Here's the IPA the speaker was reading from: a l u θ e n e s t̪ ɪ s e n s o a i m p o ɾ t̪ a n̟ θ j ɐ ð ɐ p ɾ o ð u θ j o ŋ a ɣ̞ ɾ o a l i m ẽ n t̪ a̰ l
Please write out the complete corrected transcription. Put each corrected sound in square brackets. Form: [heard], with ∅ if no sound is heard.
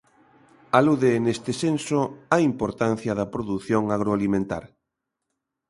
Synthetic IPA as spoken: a l u [ð] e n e s t̪ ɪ s e n s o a i m p o ɾ t̪ a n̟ θ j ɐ ð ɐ p ɾ o ð u θ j o ŋ a ɣ̞ ɾ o a l i m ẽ n t̪ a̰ [ɾ]